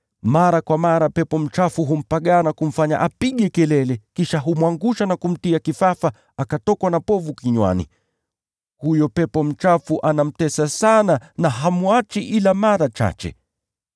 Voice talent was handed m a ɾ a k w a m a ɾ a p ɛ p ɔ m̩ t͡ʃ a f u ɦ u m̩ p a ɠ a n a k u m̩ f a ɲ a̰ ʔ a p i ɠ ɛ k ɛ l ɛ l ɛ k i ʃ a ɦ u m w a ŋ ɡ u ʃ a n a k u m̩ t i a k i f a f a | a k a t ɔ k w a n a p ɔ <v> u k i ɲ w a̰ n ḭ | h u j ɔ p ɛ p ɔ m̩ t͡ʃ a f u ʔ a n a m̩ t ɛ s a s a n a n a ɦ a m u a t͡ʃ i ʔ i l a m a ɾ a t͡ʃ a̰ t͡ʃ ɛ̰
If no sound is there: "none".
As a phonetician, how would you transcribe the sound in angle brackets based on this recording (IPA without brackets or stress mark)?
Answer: v